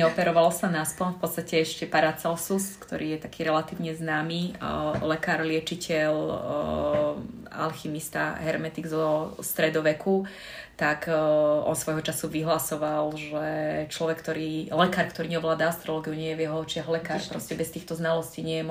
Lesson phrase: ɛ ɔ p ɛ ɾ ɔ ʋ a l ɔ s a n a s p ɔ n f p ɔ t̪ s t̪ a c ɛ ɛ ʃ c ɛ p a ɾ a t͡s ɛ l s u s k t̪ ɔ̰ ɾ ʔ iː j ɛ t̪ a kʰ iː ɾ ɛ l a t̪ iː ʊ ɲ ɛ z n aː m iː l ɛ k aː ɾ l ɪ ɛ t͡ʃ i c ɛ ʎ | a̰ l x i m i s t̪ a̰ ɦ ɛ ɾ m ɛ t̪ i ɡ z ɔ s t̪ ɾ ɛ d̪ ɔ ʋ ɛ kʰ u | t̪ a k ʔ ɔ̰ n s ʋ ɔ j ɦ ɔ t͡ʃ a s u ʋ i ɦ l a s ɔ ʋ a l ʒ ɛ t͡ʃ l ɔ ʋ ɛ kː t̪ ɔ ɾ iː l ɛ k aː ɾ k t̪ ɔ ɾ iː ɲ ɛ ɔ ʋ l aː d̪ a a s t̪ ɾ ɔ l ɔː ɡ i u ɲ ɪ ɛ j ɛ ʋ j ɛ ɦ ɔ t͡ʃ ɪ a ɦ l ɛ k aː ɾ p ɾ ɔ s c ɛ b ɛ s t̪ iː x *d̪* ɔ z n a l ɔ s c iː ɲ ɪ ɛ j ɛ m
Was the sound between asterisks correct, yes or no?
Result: no